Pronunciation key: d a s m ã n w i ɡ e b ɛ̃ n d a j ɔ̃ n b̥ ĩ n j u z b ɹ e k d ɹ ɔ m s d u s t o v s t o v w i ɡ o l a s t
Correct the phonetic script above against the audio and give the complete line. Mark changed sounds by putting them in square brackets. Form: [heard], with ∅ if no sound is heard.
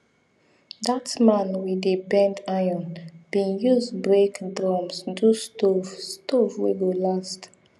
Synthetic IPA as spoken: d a [t] m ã n w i [d] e b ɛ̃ n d a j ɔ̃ n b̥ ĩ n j u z b ɹ e k d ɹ ɔ m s d u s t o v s t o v w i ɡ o l a s t